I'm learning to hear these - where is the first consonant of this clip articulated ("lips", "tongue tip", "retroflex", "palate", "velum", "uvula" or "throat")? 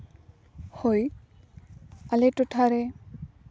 throat